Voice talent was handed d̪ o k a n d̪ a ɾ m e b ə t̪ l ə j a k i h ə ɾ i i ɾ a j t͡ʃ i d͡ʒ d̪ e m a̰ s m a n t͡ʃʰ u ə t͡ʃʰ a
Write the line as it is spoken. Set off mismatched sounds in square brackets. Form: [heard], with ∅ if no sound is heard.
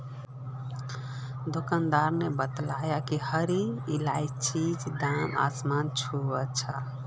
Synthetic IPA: d̪ o k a n d̪ a ɾ [n] e b ə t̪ l [a] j a k i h ə ɾ i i [l] a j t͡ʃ i d͡ʒ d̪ [a] m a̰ s m a n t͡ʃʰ u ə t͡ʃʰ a